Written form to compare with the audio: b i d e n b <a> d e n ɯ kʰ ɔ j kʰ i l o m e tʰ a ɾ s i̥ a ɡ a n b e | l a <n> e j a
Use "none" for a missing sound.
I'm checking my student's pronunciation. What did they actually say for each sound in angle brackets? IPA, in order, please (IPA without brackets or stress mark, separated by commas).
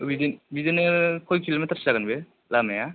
i, m